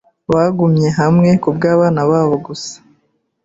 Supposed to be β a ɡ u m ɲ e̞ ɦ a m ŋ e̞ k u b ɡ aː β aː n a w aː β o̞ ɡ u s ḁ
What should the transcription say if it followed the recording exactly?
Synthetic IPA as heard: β a ɡ u m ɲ e̞ ɦ a m ŋ e̞ k u b ɡ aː β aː n a β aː β o̞ ɡ u s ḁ